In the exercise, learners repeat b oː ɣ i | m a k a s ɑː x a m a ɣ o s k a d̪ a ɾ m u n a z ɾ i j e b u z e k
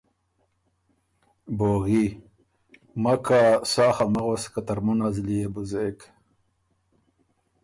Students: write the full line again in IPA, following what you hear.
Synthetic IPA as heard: b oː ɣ i | m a k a s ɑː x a m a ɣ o s k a t̪ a ɾ m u n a z l i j e b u z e k